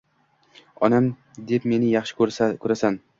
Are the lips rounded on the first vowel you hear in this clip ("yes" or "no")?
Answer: yes